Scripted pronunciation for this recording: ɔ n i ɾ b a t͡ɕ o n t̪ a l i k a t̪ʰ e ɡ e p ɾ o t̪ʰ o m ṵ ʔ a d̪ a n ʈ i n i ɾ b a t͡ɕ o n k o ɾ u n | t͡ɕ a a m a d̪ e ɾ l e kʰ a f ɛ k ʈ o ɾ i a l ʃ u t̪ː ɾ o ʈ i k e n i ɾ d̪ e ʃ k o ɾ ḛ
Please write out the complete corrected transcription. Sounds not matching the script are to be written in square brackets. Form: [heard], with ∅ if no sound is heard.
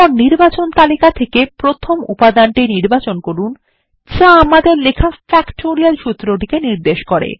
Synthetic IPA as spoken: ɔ n i ɾ b a t͡ɕ o n t̪ a l i k a t̪ʰ e [k] e p ɾ o t̪ʰ o m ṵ [p] a d̪ a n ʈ i n i ɾ b a t͡ɕ o n k o ɾ u n | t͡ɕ a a m a d̪ e ɾ l e kʰ a f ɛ k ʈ o ɾ i a l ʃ u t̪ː ɾ o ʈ i k e n i ɾ d̪ e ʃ k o ɾ ḛ

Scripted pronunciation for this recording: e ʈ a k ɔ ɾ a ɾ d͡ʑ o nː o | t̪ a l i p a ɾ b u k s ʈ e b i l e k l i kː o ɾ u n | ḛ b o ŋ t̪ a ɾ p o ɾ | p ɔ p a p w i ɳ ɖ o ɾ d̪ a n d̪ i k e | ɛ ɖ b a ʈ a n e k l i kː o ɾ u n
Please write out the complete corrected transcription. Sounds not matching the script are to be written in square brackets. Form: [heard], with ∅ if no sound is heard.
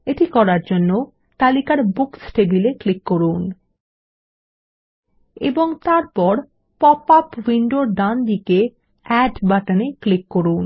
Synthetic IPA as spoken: e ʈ [i] k ɔ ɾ a ɾ d͡ʑ o nː o | t̪ a l i [k] a ɾ b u k s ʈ e b i l e k l i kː o ɾ u n | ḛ b o ŋ t̪ a ɾ p [ɔ] ɾ | p ɔ p a p w i ɳ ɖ o ɾ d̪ a n d̪ i k e | ɛ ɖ b a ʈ a n e k l i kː o ɾ u n

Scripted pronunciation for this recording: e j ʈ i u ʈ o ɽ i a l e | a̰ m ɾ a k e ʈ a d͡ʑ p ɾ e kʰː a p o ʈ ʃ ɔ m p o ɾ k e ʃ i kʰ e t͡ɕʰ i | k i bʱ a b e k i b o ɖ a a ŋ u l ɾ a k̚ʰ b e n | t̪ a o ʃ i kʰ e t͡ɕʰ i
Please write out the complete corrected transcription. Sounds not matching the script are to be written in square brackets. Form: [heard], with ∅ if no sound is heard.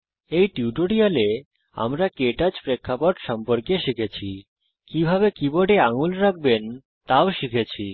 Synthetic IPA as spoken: e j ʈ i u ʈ o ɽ i a l e | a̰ m ɾ a k e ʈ a d͡ʑ p ɾ e kʰː a p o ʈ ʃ ɔ m p o ɾ k e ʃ i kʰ e t͡ɕʰ i | k i bʱ a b e k i b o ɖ [e] a ŋ u l ɾ a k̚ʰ b e n | t̪ a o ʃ i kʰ e t͡ɕʰ i

